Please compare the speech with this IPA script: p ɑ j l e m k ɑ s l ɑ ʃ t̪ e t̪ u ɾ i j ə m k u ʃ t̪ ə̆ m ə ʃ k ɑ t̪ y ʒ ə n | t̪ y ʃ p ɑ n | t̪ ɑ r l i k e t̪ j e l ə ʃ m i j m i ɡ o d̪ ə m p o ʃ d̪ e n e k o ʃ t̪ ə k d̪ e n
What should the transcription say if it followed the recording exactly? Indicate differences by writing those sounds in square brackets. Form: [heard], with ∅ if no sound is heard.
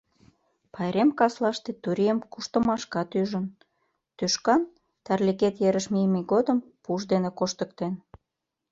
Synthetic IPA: p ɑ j [ɾ] e m k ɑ s l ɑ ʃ t̪ e t̪ u ɾ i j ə m k u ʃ t̪ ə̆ m [ɑ] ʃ k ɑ t̪ y ʒ ə n | t̪ y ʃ [k] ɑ n | t̪ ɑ r l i k e t̪ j e [ɾ] ə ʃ m i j m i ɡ o d̪ ə m p [u] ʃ d̪ e n e k o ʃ t̪ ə k [t̪] e n